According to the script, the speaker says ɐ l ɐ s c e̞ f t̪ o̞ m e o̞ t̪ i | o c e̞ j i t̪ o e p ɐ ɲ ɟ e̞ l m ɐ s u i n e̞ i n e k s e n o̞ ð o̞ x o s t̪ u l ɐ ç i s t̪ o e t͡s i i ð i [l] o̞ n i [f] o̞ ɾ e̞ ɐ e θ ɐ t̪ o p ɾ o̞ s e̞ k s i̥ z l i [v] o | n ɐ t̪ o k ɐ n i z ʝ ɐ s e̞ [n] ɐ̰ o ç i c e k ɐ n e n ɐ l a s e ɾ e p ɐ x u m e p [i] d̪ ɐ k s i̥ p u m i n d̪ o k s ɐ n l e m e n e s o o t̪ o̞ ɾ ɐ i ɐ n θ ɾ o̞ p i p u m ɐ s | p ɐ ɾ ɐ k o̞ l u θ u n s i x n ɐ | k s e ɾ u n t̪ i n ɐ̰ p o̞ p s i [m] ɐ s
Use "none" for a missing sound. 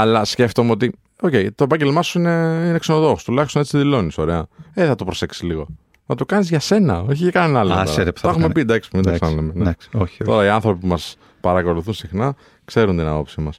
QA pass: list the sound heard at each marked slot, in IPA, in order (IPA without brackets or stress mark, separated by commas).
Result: l, s, ɣ, n, i, m